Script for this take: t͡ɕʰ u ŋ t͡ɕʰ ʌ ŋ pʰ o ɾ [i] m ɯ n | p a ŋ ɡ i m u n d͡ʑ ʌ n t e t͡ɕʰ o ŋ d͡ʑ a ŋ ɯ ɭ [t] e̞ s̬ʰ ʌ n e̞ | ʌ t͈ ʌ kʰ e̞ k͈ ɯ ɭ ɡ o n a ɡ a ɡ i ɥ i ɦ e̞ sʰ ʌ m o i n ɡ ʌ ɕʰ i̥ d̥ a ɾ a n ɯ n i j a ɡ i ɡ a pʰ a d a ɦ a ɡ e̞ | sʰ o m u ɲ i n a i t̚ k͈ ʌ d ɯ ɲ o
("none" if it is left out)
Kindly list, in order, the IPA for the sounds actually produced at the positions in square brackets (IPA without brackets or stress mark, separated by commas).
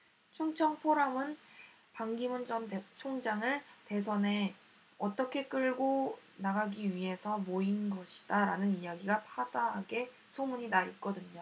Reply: a, t